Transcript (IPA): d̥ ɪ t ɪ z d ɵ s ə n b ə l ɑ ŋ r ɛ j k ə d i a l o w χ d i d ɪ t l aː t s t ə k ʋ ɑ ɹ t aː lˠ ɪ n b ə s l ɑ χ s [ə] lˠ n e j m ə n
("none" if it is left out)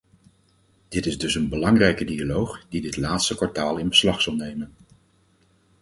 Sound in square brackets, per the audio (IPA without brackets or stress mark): ɑ